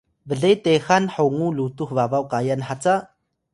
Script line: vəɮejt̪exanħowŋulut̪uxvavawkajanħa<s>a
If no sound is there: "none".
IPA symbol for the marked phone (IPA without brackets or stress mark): t͡s